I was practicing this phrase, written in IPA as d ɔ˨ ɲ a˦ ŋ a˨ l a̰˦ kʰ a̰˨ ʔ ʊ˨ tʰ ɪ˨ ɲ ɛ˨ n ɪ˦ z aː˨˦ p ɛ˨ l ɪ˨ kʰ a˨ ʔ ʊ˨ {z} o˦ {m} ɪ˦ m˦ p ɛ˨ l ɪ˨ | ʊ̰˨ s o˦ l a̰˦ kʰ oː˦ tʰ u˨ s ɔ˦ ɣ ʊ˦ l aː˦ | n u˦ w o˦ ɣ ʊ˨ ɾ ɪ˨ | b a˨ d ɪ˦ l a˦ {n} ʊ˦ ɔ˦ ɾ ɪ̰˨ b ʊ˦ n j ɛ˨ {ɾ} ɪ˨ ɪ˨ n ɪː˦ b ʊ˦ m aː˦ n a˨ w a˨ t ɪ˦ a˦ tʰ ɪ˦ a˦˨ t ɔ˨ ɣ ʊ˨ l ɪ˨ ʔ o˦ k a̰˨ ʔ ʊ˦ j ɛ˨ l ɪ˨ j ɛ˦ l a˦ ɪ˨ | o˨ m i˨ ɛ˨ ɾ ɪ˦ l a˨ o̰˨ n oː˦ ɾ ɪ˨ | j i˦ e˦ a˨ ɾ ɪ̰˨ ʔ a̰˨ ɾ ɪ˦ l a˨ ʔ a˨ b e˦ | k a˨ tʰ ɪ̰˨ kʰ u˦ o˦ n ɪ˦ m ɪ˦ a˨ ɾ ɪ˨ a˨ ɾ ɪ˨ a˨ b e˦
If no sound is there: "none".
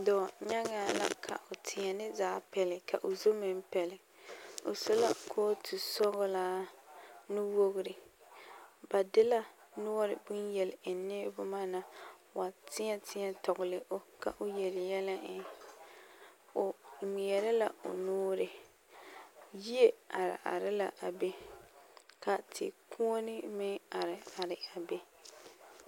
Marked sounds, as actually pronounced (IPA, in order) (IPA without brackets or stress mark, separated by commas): z, m, n, l